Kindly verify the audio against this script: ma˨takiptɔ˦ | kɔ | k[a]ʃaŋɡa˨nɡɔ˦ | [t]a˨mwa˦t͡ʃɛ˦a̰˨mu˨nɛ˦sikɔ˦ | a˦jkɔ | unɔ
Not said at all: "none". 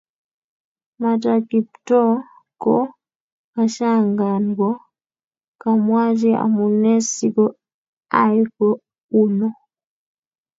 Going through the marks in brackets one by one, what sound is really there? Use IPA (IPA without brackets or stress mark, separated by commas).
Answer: a, k